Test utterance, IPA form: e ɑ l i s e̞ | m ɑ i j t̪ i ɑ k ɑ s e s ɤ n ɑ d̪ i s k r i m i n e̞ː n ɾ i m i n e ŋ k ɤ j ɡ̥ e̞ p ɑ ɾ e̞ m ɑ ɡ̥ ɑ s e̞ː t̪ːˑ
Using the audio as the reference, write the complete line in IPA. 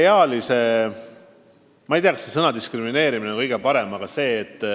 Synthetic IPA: e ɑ l i s e̞ | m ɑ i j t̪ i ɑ k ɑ s e s ɤ n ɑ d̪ i s k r i m i n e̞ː ɾ i m i n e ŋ k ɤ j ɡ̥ e̞ p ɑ ɾ e̞ m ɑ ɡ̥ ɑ s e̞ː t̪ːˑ